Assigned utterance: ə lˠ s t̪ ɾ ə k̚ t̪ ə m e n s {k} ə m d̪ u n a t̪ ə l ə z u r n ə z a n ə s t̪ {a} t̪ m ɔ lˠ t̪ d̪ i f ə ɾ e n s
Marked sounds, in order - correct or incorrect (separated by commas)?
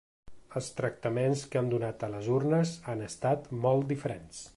correct, correct